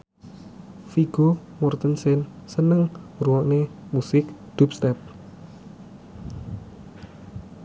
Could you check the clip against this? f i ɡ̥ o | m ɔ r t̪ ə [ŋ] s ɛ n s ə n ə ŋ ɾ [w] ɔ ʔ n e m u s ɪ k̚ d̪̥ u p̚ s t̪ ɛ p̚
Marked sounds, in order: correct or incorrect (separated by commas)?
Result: incorrect, incorrect